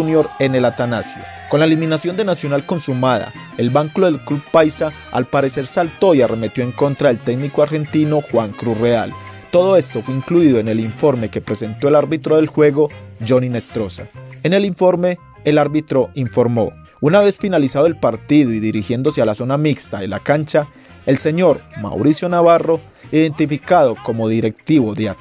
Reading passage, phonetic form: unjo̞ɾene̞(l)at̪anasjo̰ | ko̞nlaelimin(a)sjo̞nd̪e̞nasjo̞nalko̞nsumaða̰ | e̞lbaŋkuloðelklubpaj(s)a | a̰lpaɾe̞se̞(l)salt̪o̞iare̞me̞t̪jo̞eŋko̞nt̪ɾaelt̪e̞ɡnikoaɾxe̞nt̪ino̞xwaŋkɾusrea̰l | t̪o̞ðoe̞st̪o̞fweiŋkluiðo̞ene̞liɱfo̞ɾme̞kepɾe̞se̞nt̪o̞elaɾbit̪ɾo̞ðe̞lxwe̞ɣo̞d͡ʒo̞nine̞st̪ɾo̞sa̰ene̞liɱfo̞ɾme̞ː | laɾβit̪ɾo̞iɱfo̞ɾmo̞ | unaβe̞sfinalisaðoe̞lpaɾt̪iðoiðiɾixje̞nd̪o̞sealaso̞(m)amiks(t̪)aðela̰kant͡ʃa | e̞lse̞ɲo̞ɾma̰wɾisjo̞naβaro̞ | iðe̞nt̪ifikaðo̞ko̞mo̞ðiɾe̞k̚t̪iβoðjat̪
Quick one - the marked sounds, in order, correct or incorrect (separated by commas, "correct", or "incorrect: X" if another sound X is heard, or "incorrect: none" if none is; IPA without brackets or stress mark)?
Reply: correct, correct, correct, incorrect: ɾ, incorrect: n, correct